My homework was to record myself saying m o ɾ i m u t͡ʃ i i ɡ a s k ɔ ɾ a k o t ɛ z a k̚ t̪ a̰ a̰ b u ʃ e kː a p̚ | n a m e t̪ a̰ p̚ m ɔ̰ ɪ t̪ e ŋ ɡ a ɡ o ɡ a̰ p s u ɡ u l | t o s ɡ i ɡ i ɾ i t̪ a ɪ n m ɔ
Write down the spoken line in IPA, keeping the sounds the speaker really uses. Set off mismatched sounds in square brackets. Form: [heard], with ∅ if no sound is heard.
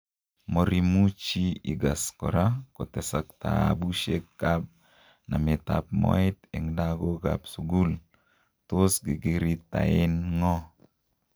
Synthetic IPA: m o ɾ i m u t͡ʃ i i ɡ a s k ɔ ɾ a k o t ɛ [s] a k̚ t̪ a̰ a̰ b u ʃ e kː a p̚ | n a m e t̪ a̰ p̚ m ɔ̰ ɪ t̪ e ŋ [d] a ɡ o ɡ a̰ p s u ɡ u l | t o s ɡ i ɡ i ɾ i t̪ a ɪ n [ŋ] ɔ